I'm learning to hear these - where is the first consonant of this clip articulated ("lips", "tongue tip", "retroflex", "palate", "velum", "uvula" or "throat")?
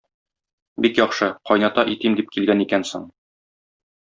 lips